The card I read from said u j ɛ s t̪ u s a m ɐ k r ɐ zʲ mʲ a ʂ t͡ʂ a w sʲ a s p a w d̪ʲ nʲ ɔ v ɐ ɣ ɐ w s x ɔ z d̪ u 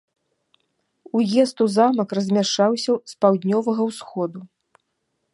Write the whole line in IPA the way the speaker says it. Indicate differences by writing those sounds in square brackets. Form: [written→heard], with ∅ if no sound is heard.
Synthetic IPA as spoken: u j ɛ s t̪ u [s→z] a m ɐ k r ɐ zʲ mʲ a ʂ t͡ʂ a w sʲ [a→ɐ] s p a w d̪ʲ nʲ ɔ v ɐ ɣ ɐ w s x ɔ [z→∅] d̪ u